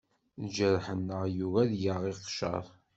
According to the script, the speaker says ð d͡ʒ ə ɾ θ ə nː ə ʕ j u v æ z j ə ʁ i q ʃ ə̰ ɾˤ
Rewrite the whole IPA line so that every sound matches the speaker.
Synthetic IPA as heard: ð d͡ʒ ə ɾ ħ ə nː ə ʁ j u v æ ð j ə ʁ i q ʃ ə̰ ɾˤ